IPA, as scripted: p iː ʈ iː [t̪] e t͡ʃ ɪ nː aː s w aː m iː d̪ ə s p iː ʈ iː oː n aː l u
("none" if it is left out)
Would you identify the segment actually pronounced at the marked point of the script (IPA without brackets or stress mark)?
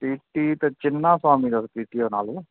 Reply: t̪